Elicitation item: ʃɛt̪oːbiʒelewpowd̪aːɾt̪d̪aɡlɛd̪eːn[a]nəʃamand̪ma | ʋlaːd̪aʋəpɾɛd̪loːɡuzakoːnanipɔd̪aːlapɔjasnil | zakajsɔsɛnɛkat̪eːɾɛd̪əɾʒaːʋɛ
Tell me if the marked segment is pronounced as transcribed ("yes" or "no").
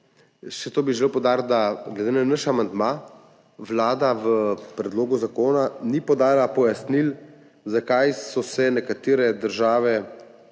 yes